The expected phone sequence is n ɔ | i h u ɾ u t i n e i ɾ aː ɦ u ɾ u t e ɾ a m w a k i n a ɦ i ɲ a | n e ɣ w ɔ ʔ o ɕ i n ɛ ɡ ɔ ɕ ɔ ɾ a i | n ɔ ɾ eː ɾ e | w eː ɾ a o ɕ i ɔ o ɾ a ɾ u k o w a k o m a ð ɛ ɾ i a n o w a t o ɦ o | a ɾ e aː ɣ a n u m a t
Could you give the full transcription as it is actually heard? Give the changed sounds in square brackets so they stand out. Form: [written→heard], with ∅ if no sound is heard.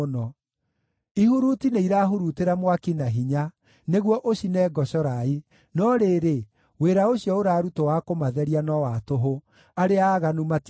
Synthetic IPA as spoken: n ɔ | i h u ɾ u t i n e i ɾ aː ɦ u ɾ u t e ɾ a m w a k i n a ɦ i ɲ a | n e ɣ w ɔ ʔ o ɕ i n ɛ ɡ ɔ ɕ ɔ ɾ a i | n ɔ ɾ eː ɾ e | w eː ɾ a o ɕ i ɔ o ɾ a ɾ u [k→t] o w a k o m a ð ɛ ɾ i a n [o→ɔ] w a t o ɦ o | a ɾ e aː ɣ a n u m a t

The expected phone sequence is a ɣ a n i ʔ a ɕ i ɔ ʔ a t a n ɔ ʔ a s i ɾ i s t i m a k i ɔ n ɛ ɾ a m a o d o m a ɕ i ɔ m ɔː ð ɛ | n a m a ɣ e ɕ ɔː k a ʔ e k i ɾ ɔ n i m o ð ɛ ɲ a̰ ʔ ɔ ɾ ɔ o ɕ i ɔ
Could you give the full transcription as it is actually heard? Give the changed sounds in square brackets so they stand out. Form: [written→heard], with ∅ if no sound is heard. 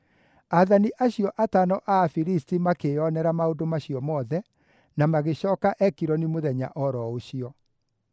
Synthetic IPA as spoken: a [ɣ→ð] a n i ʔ a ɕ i ɔ ʔ a t a n ɔ ʔ a [s→f] i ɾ i s t i m a k [i→e] ɔ n ɛ ɾ a m a o d o m a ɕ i ɔ m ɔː ð ɛ | n a m a ɣ e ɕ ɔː k a ʔ [e→ɛ] k i ɾ ɔ n i m o ð ɛ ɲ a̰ ʔ ɔ ɾ ɔ o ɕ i ɔ

